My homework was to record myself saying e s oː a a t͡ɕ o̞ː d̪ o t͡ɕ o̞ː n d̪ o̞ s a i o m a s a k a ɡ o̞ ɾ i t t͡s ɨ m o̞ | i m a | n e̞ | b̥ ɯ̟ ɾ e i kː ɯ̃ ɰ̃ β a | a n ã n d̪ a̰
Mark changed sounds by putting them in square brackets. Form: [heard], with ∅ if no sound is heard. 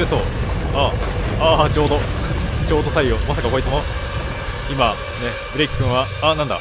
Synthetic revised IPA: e s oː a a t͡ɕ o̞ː d̪ o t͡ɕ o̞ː [∅] d̪ o̞ s a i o m a s a k a [k] o̞ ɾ i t t͡s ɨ m o̞ | i m a | n e̞ | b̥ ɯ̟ ɾ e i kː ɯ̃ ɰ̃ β a | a n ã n d̪ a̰